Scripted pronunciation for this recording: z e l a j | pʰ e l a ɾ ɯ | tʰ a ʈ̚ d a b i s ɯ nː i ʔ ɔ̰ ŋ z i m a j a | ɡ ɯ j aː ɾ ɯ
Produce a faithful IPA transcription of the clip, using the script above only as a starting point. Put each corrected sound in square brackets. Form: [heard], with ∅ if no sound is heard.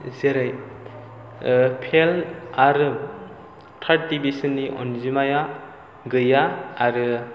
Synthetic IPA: z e [ɾ] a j | pʰ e l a ɾ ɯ | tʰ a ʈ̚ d [i] b i s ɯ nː i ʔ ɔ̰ [n] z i m a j a | ɡ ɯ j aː ɾ ɯ